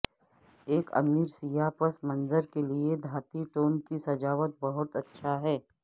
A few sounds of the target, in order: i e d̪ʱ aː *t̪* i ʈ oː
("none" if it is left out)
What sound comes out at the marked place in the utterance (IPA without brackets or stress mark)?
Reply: t̪